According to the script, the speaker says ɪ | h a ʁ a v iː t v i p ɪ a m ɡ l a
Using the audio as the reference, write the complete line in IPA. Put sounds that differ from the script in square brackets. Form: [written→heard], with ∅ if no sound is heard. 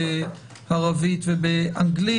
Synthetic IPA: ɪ | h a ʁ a v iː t v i [p→b] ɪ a [m→ŋ] ɡ l [a→i]

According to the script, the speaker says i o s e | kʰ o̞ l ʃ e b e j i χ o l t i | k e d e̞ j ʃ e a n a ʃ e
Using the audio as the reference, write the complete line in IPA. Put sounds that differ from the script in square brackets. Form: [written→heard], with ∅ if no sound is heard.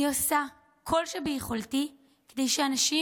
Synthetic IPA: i o s [e→a] | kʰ o̞ l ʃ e b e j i χ o l t i | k e d e̞ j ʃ e a n a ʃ [e→i]

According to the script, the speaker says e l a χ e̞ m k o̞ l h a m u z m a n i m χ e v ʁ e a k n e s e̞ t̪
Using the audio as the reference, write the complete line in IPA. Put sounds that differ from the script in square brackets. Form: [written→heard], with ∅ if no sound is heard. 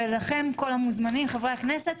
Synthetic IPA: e l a χ e̞ m k o̞ l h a m u z m a n i m χ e v ʁ e a k n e s e̞ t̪

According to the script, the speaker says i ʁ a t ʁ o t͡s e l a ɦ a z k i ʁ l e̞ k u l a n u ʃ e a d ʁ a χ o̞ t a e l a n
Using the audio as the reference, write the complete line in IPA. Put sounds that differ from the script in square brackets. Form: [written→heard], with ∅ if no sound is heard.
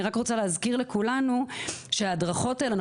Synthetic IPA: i ʁ a [t→k] ʁ o t͡s [e→a] l [a→e] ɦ a z k i ʁ l e̞ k u l a n u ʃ e a d ʁ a χ o̞ t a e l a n

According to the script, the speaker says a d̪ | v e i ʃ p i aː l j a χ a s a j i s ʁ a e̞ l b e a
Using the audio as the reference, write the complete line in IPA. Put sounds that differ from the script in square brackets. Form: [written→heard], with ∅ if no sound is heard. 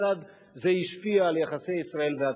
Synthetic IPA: a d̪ | [v→z] e i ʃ p i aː l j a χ a s [a→e] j i s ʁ a e̞ l [b→v] e a

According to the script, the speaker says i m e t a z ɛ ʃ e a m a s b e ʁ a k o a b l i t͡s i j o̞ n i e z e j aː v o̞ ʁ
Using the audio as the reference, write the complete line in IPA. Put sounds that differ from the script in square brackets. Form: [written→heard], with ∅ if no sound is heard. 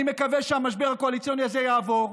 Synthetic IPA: i m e [t→k] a [z→v] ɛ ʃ e a m a [s→ʃ] b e ʁ a k o a [b→∅] l i t͡s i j o̞ n i [e→a] z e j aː v o̞ ʁ

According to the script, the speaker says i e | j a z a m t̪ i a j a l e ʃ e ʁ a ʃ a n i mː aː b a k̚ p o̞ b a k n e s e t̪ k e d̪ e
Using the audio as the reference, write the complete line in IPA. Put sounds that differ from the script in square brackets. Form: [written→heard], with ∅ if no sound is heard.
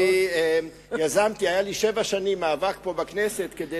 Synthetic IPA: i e | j a z a m t̪ i a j a l [e→i] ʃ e [ʁ→v] a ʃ a n i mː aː [b→v] a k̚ p o̞ b a k n e s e t̪ k e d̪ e

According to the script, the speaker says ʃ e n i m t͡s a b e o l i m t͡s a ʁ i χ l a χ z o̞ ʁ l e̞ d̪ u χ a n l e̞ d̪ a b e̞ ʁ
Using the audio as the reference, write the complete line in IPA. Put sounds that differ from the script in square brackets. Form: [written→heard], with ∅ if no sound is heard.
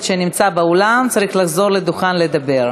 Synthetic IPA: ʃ e n i m t͡s a b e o l [i→a] m t͡s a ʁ i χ l a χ z o̞ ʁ l e̞ d̪ u χ a n l e̞ d̪ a b e̞ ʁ

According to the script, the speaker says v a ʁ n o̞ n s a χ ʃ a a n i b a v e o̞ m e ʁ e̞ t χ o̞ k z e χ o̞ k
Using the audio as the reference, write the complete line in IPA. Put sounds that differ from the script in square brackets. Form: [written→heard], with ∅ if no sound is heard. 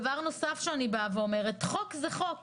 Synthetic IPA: v a ʁ n o̞ [n→∅] s a [χ→f] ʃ [a→e] a n i b a v e o̞ m e ʁ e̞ t χ o̞ k z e χ o̞ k

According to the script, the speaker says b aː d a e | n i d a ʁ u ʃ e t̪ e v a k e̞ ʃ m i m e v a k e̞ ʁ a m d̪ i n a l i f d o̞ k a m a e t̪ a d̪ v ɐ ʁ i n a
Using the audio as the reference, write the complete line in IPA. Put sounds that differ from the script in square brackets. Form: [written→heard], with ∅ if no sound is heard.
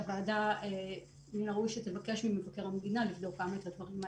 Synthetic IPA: [b→v] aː d a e | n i [d→n] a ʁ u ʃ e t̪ e v a k e̞ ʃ m i m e v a k e̞ ʁ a m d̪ i n a l i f d o̞ k a m a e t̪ a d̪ v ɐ ʁ i [n→m] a

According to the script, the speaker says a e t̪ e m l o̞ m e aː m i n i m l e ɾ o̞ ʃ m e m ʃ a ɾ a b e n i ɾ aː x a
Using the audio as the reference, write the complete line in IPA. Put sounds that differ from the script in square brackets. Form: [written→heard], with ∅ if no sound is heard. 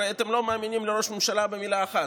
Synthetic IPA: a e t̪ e m l o̞ m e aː m i n i m l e ɾ o̞ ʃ m e m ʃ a [ɾ→l] a b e [n→m] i [ɾ→l] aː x a

